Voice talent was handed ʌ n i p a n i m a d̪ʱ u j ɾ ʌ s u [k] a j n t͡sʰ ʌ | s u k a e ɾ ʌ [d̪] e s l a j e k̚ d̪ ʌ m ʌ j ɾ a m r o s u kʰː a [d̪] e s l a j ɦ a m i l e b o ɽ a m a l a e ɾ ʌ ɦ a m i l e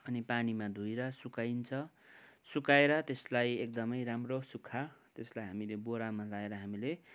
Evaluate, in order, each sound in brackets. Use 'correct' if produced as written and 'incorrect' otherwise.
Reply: correct, incorrect: t̪, incorrect: t̪

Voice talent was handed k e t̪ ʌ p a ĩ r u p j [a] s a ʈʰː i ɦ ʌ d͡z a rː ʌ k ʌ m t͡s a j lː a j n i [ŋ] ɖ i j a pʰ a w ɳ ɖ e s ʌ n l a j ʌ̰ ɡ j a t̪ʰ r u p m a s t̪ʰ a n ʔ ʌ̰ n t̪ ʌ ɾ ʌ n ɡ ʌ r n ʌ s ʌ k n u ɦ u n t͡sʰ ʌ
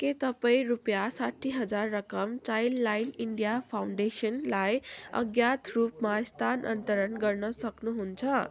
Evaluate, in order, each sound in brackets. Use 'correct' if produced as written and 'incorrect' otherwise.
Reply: correct, incorrect: ɳ

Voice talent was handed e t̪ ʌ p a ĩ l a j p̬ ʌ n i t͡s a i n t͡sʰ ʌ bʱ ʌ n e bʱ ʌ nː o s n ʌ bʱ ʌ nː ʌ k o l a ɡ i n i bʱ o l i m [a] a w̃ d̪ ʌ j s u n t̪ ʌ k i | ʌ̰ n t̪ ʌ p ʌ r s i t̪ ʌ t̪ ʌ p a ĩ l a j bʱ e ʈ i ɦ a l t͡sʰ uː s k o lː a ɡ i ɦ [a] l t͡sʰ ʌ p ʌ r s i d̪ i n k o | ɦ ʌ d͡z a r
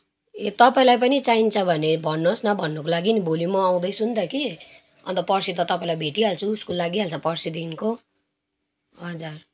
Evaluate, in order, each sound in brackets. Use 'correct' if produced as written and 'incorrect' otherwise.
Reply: incorrect: ʌ, correct

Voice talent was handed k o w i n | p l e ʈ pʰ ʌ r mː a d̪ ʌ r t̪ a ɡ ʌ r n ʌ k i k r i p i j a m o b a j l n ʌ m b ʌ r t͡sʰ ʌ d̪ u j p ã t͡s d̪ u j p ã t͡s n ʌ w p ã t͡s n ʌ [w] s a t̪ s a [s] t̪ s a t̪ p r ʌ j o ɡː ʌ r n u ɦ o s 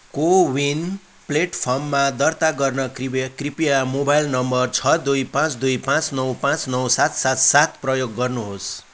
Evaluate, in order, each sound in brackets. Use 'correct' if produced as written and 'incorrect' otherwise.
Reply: correct, incorrect: none

